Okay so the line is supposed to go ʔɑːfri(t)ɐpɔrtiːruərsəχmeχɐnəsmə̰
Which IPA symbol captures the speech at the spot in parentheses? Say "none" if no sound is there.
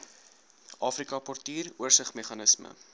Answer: k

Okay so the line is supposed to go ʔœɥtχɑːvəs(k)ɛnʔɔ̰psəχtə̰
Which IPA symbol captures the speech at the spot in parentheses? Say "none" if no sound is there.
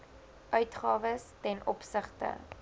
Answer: t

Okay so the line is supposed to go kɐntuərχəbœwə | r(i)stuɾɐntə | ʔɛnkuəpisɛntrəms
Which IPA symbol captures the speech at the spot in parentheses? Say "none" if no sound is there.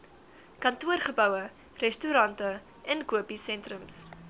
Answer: ɛ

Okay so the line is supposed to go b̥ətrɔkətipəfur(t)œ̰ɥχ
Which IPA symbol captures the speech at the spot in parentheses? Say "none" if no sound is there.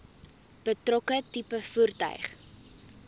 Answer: t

